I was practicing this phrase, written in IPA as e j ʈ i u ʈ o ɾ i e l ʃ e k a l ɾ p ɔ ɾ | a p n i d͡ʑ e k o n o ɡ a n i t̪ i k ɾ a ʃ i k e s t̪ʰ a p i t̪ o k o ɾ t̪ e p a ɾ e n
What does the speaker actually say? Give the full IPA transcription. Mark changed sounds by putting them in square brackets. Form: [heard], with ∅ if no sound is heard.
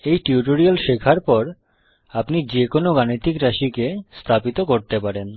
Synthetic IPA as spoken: e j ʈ i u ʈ o ɾ i [a] l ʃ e [kʰ] a [∅] ɾ p ɔ ɾ | a p n i d͡ʑ e k o n o ɡ a n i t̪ i k ɾ a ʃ i k e s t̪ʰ a p i t̪ o k o ɾ t̪ e p a ɾ e n

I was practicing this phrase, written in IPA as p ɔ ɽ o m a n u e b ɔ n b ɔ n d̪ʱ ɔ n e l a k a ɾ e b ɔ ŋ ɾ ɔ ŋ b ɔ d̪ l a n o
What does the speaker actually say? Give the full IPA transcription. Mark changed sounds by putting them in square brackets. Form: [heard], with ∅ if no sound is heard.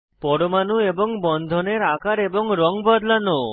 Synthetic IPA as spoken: p ɔ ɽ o m a n u e b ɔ [ŋ] b ɔ n d̪ʱ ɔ n e [ɾ] a k a ɾ e b ɔ ŋ ɾ ɔ ŋ b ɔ d̪ l a n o

